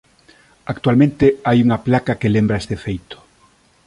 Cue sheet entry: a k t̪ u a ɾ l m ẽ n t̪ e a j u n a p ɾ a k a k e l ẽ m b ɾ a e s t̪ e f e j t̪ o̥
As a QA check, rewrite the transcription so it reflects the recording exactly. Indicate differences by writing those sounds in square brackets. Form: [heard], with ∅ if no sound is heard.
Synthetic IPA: a k t̪ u a [∅] l m ẽ n t̪ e a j u [ŋ] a p [l] a k a k e l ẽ m b ɾ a e s t̪ e f e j t̪ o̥